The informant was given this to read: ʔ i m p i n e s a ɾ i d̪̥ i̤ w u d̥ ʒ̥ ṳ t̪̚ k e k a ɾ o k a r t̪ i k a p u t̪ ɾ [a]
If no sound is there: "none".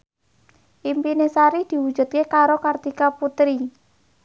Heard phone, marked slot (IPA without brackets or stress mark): i